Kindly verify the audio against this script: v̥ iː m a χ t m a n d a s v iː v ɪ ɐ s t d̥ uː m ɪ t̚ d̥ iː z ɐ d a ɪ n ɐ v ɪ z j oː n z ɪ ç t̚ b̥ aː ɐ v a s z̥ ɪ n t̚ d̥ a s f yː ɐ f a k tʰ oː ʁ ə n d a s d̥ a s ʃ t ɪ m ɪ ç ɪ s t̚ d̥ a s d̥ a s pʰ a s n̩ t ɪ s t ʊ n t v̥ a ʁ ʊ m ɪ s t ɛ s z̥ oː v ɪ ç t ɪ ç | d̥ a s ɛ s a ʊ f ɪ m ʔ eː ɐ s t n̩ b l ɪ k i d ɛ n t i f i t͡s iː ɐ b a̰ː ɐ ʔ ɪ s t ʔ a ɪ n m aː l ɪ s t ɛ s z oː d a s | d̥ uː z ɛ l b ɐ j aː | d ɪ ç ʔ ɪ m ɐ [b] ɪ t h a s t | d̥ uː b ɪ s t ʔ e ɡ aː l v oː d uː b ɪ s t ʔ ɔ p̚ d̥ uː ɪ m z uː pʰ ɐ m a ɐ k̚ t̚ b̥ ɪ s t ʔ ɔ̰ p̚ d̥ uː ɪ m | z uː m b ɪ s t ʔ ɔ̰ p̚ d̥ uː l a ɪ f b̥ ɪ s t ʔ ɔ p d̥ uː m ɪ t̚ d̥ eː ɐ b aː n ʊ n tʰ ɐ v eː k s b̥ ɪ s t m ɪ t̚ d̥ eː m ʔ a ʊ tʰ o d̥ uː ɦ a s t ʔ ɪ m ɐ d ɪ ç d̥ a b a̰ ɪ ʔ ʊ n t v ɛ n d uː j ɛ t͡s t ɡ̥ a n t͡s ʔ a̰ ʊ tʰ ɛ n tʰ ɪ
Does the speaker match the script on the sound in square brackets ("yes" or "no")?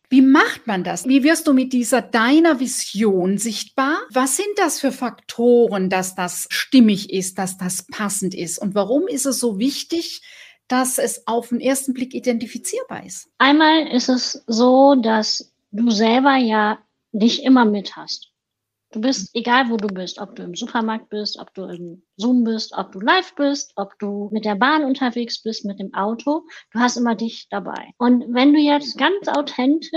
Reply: no